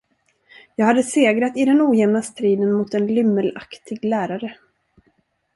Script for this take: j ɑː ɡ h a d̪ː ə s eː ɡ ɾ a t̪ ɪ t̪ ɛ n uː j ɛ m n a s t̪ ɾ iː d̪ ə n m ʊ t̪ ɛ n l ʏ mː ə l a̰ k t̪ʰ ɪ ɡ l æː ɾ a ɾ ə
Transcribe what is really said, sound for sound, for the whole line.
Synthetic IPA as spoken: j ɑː ɡ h a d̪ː ə s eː ɡ ɾ a t̪ ɪ d̪ ɛ n uː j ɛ m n a s t̪ ɾ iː d̪ ə n m ʊ t̪ ɛ n l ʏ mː ə l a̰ k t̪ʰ ɪ ɡ l æː ɾ a ɾ ə